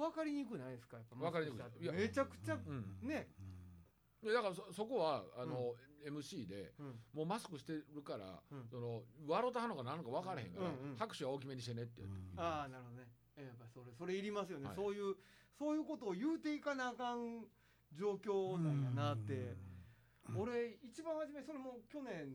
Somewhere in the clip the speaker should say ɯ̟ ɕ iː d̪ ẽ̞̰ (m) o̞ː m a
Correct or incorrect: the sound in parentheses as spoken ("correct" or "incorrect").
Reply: correct